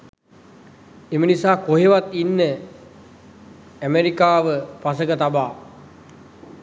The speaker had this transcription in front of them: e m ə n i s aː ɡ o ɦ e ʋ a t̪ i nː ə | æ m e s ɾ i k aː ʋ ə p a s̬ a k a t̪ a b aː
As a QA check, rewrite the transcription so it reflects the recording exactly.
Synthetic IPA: e m ə n i s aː k o ɦ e ʋ a t̪ i nː ə | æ m e ɾ i k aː ʋ ə p a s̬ ə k ə t̪ a b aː